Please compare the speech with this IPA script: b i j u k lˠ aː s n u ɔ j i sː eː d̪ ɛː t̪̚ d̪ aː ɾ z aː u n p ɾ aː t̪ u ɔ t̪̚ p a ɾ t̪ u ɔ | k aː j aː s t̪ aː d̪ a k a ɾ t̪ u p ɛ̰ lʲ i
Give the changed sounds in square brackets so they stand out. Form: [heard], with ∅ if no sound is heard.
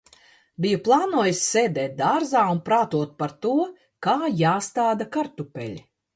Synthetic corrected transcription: b i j u [p] lˠ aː [∅] n u ɔ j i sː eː d̪ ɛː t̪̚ d̪ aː ɾ z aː u n p ɾ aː t̪ u ɔ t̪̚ p a ɾ t̪ u ɔ | k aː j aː s t̪ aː d̪ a k a ɾ t̪ u p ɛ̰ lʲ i